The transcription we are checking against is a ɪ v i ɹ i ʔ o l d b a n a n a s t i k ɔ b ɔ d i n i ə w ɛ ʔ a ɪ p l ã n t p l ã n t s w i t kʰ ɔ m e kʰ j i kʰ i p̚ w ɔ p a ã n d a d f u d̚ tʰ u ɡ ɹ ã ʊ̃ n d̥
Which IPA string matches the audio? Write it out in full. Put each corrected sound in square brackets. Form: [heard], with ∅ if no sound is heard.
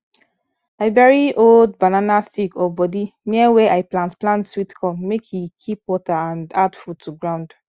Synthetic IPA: a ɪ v [ɛ] ɹ i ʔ o l d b a n a n a s t i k ɔ b ɔ d i n i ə w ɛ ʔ a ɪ p l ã n t p l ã n t s w i t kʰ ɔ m e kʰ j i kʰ i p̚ w ɔ [t] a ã n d a d f u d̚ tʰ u ɡ ɹ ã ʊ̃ n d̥